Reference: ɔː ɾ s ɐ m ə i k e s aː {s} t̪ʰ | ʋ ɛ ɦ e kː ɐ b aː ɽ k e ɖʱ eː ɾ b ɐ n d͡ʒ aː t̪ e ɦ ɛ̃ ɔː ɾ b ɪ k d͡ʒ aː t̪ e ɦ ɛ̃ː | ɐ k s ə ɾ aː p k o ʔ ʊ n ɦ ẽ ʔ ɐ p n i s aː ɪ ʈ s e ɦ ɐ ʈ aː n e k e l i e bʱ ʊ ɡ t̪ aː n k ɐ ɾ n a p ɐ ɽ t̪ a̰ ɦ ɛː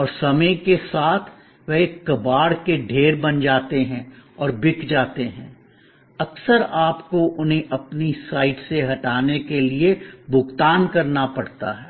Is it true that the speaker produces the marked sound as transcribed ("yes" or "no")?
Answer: no